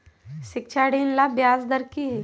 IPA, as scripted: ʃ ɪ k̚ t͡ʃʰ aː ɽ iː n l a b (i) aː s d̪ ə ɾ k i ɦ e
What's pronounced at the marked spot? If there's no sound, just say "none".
j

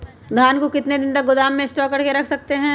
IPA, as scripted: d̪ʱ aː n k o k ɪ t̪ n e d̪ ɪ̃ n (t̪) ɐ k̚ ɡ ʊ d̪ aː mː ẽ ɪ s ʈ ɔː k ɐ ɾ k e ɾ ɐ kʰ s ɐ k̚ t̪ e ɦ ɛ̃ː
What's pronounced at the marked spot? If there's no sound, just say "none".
t̪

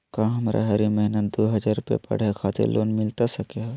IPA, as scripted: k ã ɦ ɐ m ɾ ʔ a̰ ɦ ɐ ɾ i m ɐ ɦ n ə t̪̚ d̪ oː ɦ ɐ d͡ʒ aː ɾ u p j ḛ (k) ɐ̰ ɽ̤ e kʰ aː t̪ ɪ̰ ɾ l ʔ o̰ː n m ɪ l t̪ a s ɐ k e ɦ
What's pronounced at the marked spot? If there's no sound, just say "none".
p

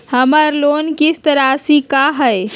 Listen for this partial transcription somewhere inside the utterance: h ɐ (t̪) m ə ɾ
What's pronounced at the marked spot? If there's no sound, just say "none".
none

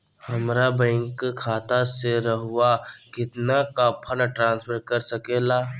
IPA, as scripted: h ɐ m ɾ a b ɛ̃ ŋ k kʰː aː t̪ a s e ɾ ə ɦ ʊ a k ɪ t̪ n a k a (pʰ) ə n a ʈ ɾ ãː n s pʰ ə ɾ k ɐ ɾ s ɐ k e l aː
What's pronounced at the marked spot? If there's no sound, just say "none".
pʰ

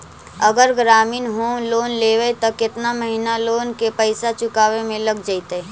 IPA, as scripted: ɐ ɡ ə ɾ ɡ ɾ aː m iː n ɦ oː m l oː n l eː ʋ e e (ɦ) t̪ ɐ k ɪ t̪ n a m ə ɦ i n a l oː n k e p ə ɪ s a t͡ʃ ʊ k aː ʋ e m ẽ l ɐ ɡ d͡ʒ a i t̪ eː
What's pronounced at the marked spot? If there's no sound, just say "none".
none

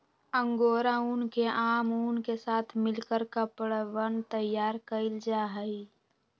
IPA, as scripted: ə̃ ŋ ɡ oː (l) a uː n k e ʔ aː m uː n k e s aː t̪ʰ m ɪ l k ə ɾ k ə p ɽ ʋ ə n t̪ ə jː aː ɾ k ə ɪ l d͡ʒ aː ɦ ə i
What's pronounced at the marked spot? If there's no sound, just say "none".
ɾ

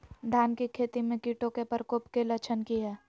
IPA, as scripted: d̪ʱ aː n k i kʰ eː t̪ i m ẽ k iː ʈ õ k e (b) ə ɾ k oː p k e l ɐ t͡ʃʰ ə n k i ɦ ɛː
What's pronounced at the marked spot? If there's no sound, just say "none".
p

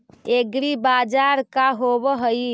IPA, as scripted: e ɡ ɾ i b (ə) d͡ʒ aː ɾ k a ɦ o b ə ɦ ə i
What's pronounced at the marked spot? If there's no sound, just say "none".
a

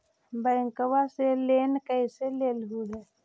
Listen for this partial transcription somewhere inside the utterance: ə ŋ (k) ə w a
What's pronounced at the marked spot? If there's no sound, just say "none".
k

